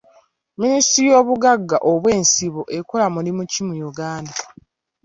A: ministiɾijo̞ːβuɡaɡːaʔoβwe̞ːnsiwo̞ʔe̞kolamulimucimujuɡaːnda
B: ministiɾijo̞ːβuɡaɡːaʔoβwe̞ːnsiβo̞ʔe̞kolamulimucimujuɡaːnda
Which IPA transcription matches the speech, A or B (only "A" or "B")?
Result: B